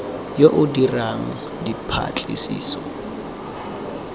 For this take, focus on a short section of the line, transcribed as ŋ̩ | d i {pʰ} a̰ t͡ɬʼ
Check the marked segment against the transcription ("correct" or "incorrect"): correct